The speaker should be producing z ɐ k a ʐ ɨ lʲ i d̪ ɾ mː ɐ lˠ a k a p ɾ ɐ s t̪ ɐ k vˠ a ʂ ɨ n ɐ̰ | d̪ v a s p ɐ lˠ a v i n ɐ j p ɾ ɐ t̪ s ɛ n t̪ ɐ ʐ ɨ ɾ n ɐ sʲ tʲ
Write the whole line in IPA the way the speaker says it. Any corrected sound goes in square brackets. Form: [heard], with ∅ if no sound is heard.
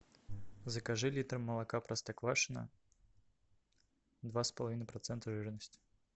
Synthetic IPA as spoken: z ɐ k a ʐ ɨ lʲ i [t̪] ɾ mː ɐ lˠ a k a p ɾ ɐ s t̪ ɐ k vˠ a ʂ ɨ n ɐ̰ | d̪ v a s p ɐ lˠ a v i n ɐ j p ɾ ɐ t̪ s ɛ n t̪ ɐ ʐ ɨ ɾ n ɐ sʲ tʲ